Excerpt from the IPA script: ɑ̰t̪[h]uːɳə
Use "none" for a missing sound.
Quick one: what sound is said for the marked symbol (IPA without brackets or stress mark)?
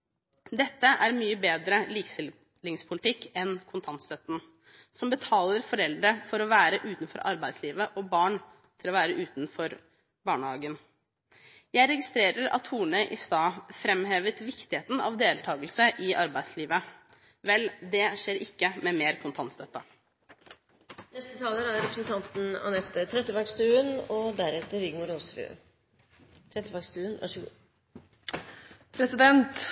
h